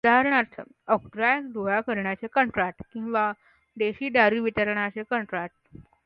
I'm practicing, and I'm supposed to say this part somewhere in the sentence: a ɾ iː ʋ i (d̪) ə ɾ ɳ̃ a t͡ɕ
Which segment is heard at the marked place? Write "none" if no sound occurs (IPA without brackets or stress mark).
t̪